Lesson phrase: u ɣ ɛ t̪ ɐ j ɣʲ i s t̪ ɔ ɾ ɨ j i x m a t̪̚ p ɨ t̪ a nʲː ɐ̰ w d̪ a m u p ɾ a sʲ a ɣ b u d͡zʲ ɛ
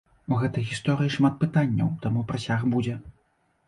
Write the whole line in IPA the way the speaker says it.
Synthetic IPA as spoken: u ɣ ɛ t̪ ɐ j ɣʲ i s t̪ ɔ ɾ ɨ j i ʂ m a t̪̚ p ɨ t̪ a nʲː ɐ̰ w t̪ a m u p ɾ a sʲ a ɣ b u d͡zʲ ɛ